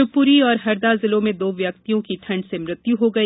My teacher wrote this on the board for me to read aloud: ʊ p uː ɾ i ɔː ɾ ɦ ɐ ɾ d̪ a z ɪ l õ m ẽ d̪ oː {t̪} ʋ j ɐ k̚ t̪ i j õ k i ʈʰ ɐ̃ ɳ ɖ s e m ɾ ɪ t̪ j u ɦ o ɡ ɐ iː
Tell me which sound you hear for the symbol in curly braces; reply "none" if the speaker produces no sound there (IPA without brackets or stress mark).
none